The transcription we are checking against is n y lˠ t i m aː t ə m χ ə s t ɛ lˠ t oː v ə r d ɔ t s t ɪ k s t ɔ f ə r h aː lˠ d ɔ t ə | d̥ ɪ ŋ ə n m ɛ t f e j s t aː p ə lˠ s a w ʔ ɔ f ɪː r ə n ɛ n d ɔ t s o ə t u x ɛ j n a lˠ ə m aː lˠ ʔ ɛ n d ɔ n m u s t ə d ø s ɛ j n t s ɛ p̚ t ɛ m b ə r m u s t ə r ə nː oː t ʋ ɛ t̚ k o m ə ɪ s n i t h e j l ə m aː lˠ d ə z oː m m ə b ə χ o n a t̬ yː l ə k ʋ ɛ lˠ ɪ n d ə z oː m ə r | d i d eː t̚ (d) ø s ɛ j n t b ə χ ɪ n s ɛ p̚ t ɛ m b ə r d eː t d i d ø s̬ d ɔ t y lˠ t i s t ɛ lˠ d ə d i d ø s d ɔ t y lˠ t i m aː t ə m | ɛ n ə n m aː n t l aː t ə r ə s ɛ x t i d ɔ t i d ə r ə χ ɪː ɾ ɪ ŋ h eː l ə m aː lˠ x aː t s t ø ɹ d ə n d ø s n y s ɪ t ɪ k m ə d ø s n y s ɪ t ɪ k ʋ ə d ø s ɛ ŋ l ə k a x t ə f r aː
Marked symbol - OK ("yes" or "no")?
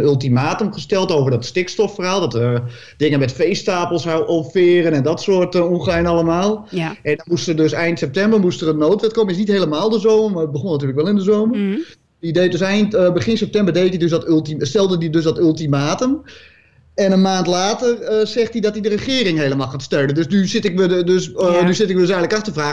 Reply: yes